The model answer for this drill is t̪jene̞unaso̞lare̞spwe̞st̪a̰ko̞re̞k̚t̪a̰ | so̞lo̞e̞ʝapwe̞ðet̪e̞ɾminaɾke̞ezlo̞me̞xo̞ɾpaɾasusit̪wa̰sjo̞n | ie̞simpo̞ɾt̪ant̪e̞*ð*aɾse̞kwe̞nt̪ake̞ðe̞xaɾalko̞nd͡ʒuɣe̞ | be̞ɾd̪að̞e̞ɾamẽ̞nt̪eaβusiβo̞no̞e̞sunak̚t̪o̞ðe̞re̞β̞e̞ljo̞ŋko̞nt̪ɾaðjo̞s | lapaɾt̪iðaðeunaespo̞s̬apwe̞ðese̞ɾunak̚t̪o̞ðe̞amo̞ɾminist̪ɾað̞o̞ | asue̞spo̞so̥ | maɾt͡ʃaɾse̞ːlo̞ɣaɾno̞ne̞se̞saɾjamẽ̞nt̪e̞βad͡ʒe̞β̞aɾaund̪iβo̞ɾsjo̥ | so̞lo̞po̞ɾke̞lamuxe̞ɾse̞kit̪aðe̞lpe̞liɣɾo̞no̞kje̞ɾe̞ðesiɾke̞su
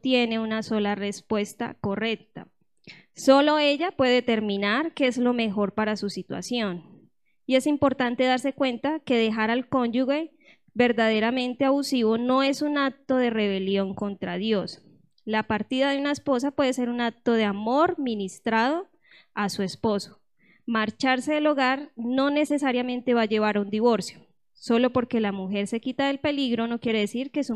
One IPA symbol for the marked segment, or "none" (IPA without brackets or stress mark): ð